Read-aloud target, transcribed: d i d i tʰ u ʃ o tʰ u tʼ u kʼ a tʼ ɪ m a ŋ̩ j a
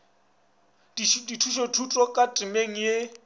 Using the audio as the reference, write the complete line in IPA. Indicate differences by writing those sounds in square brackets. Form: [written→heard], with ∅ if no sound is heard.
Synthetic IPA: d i d i tʰ u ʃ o tʰ u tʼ [u→ɔ] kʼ a tʼ ɪ m [a→e] ŋ̩ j [a→e]